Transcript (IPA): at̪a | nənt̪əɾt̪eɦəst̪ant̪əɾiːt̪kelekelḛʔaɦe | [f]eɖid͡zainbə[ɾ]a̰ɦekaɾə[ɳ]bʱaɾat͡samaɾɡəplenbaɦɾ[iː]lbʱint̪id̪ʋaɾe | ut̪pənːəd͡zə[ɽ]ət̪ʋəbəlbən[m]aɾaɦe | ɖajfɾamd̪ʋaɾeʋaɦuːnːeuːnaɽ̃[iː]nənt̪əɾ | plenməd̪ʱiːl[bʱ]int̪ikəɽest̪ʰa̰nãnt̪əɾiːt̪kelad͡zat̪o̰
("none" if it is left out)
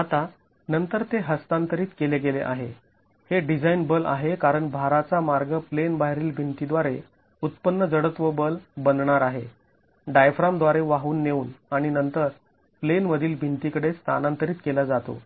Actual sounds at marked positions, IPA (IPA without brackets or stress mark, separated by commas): h, l, ɳ, iː, ɽ, ɳ, i, bʱ